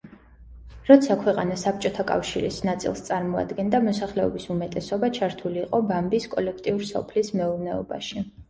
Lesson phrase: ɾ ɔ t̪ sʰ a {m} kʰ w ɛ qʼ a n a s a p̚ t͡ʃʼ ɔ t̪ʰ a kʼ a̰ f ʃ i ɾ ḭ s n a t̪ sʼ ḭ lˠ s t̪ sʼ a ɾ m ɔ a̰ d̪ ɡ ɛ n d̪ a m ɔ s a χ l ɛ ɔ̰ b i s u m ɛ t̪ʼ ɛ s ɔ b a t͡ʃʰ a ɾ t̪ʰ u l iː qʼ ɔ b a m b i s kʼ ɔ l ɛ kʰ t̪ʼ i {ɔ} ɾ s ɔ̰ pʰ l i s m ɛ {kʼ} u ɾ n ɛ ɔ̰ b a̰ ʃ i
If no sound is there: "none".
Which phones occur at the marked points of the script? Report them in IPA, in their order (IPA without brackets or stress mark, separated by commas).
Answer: none, u, none